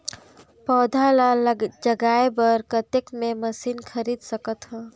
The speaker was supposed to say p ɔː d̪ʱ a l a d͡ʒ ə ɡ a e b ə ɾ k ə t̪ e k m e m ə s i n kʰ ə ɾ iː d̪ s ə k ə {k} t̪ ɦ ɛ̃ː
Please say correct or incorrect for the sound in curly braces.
incorrect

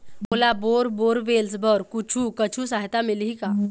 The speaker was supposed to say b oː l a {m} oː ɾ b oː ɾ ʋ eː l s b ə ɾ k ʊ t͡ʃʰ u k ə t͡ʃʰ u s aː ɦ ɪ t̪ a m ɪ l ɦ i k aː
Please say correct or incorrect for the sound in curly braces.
incorrect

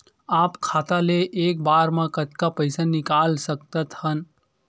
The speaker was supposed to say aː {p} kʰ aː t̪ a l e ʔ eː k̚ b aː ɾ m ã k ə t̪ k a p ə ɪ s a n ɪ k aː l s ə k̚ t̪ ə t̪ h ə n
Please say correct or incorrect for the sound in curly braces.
correct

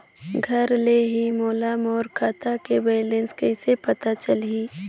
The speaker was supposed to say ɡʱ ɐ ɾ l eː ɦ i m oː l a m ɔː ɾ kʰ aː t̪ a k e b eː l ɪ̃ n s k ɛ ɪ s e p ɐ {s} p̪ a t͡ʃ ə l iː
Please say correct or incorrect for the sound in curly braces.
incorrect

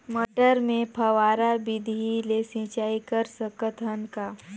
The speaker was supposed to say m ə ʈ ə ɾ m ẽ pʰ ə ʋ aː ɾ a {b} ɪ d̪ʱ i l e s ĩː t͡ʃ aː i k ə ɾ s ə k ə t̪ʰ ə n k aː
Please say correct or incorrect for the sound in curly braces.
correct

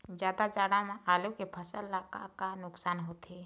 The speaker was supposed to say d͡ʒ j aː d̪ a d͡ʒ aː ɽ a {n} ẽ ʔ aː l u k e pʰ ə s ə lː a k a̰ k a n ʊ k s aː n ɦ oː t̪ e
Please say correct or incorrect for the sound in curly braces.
incorrect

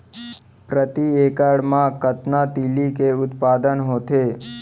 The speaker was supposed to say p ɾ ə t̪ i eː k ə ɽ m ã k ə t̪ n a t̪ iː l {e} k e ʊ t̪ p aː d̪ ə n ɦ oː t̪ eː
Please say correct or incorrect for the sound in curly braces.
incorrect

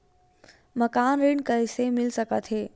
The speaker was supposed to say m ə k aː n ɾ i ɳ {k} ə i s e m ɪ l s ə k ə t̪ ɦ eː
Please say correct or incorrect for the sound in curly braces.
correct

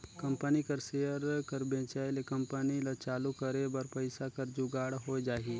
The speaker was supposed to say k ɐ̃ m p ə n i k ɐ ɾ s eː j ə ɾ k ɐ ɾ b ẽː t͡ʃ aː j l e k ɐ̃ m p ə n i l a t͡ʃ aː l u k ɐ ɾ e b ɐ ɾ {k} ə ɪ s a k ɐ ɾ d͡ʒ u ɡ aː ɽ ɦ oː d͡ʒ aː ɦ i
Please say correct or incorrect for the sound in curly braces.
incorrect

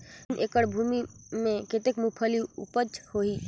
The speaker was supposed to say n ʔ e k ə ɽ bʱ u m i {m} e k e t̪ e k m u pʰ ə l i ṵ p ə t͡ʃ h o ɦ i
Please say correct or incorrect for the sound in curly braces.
correct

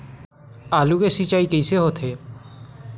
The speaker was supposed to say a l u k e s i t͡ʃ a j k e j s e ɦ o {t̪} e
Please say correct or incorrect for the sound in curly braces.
incorrect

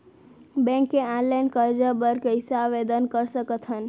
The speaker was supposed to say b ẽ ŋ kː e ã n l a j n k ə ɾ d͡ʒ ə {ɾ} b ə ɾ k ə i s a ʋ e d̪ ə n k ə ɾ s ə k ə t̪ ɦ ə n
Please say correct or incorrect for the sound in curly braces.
incorrect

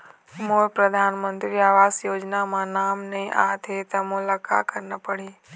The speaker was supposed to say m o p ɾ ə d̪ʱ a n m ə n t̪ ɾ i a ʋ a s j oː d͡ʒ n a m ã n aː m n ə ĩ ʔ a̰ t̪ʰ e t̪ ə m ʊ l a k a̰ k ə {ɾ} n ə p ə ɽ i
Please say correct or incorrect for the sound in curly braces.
correct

